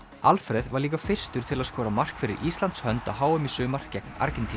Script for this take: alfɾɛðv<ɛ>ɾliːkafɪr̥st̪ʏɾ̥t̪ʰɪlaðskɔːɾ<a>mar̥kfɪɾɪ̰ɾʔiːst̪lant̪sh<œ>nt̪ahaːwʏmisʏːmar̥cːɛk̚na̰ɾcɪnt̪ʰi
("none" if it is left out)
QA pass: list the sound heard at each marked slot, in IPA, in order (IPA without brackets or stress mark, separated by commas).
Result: a, a, œ